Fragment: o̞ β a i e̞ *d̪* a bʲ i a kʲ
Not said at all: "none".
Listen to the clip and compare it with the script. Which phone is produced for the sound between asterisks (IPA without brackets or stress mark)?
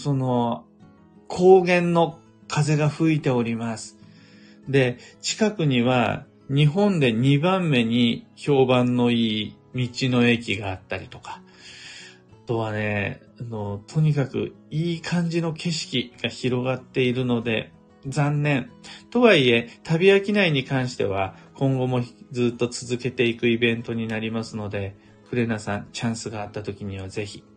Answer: t̪